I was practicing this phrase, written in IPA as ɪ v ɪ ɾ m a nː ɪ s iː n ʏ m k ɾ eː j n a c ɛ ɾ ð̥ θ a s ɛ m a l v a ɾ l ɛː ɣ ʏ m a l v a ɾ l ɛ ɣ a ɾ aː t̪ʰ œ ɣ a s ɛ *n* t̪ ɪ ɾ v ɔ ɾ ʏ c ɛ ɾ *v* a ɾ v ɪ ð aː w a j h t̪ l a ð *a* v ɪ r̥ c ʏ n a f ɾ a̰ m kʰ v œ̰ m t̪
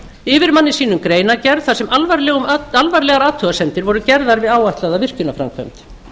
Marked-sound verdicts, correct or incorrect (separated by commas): correct, incorrect, correct